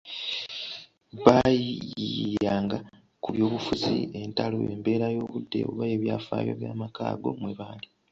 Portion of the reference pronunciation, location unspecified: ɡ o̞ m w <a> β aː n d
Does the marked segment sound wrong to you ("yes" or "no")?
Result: yes